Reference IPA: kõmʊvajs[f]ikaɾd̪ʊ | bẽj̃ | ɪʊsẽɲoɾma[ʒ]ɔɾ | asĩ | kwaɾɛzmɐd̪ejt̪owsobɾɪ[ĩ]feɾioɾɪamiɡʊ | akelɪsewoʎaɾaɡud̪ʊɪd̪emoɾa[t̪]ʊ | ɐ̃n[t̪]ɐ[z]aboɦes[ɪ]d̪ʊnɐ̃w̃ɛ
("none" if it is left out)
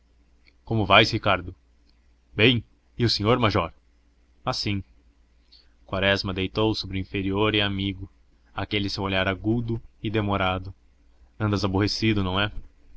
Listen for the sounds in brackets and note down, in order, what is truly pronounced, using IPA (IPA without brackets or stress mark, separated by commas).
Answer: h, ʒ, ĩ, d̪, d̪, z, i